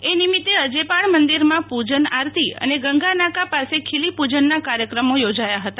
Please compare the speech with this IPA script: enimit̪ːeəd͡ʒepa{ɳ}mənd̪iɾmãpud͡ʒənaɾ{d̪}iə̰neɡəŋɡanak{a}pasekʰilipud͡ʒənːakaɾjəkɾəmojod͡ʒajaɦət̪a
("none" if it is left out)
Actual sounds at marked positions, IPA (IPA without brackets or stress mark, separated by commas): ɳ, t̪, a